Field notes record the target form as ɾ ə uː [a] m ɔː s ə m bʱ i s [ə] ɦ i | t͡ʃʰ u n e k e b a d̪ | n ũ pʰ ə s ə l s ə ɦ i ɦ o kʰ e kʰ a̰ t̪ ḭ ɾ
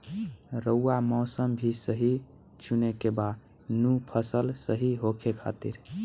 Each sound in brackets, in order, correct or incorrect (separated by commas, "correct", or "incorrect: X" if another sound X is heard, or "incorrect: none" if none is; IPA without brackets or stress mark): correct, correct